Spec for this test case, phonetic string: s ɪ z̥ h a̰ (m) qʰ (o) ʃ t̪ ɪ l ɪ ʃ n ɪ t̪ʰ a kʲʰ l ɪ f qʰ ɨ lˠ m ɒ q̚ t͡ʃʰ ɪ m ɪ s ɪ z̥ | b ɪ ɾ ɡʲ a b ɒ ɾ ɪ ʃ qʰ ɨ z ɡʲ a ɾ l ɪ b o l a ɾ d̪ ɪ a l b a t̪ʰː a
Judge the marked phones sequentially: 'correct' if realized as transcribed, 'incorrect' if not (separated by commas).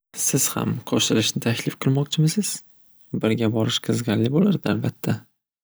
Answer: correct, incorrect